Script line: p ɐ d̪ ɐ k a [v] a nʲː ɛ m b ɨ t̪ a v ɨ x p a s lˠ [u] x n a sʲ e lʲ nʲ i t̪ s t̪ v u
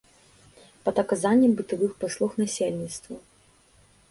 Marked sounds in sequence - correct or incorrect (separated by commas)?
incorrect, correct